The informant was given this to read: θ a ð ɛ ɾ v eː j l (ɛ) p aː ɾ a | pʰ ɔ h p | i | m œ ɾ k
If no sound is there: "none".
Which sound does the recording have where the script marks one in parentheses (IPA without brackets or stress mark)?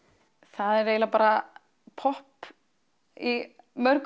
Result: a